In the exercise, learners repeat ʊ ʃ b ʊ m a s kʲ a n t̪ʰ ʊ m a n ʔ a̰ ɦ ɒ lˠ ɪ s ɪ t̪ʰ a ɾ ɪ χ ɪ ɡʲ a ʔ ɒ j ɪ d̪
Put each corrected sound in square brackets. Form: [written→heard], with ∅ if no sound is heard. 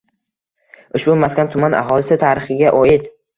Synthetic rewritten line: ʊ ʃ b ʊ m a s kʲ a n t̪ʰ ʊ m a n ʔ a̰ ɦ ɒ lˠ ɪ s ɪ t̪ʰ a ɾ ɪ χ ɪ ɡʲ a ʔ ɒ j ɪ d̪